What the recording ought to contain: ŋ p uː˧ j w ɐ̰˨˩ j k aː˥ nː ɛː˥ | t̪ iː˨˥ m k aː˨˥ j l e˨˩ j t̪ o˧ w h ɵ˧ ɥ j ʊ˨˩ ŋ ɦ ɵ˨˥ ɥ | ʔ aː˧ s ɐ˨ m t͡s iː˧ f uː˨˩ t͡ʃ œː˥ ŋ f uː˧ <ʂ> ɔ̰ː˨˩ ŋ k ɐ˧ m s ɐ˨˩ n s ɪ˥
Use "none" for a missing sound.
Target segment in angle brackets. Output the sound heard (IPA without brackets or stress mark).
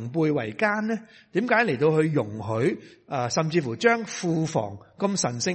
f